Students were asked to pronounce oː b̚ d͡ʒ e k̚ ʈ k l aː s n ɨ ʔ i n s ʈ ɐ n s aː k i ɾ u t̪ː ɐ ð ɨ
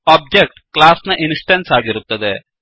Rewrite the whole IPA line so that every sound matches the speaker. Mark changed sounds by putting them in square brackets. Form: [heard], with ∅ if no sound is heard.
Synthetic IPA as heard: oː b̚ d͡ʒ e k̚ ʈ k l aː s n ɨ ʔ i n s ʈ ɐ n s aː [ɡ] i ɾ u t̪ː ɐ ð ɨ